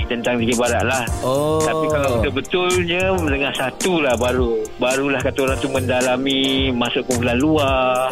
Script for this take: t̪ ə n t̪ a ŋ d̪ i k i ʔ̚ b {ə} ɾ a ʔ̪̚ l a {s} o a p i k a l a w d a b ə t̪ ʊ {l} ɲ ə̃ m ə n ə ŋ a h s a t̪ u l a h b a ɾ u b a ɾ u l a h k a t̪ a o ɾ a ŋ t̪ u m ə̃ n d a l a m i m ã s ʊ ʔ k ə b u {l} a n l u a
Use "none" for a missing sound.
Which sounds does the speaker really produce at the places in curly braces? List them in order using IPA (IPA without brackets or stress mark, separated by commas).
a, h, l, l